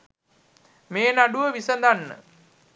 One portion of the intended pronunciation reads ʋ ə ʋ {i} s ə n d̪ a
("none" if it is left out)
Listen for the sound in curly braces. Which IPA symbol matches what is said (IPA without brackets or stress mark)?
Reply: i